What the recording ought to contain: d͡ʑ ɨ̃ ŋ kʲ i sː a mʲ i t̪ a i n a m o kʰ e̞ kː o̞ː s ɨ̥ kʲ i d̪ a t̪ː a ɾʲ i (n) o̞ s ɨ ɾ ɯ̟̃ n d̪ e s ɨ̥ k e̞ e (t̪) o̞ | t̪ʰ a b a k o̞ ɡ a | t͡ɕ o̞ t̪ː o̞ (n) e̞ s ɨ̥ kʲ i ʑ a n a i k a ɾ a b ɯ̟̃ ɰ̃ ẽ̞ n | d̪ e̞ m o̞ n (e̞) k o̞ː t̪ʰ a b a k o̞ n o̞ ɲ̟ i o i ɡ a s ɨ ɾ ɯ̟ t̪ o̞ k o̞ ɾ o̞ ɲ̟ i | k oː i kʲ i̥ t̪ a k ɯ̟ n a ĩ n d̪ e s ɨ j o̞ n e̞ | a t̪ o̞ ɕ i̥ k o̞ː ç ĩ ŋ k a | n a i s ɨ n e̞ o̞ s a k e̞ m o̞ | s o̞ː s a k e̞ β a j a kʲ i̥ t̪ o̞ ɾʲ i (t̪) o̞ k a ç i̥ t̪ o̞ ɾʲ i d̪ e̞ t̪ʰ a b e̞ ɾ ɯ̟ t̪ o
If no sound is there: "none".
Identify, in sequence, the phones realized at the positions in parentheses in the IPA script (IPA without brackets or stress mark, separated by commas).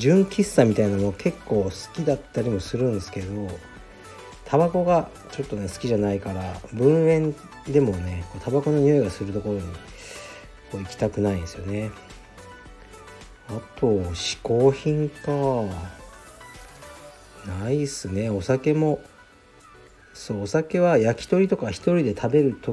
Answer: m, d̪, n, e̞, t̪